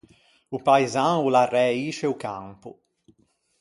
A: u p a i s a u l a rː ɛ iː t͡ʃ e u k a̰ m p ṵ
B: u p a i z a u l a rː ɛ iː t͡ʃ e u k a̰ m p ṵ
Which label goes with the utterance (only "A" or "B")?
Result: B